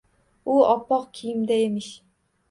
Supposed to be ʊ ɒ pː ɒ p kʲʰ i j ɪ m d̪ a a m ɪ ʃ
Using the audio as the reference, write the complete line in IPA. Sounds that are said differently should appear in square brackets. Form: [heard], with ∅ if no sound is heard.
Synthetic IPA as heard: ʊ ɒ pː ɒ [q] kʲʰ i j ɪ m d̪ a [e] m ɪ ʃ